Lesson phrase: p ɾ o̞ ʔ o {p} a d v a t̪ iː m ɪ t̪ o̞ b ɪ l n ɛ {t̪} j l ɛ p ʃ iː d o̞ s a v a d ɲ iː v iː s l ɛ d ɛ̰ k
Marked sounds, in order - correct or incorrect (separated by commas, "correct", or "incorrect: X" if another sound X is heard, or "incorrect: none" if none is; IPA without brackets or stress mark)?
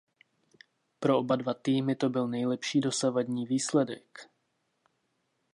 incorrect: b, incorrect: none